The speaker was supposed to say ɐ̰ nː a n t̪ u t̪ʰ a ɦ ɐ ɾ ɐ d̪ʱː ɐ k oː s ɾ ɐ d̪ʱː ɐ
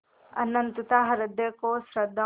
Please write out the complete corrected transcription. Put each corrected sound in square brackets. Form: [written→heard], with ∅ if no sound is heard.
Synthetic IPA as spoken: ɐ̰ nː [a→ɐ] n t̪ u [t̪ʰ→t̪] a ɦ ɐ ɾ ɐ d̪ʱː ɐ k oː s ɾ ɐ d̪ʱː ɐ